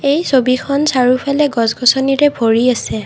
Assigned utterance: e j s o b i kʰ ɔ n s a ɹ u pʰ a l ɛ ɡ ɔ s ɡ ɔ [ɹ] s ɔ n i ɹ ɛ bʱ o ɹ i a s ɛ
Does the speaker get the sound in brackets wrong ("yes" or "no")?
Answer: yes